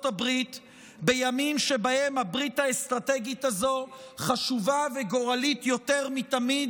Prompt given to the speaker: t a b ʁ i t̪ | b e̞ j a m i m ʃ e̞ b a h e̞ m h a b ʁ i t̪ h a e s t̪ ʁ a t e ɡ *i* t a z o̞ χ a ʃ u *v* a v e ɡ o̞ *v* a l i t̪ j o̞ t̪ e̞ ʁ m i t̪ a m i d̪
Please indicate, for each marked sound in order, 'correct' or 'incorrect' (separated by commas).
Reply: correct, correct, incorrect